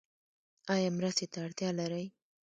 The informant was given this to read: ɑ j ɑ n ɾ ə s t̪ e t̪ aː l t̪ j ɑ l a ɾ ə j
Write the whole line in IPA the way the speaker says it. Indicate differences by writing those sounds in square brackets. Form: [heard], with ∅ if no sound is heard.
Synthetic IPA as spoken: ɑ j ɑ [m] ɾ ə s t̪ e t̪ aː [ɽ] t̪ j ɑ l a ɾ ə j